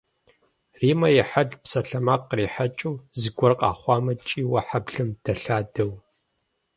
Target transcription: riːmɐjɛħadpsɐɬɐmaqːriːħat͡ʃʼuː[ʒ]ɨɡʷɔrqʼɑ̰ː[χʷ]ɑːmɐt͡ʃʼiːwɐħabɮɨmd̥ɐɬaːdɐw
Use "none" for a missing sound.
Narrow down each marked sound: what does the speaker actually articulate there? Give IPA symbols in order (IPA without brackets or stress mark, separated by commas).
z, χʷ